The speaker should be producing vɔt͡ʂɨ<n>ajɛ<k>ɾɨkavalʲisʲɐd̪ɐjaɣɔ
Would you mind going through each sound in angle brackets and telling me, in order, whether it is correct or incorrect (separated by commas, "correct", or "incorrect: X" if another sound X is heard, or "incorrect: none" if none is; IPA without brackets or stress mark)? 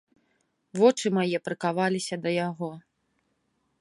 incorrect: m, incorrect: p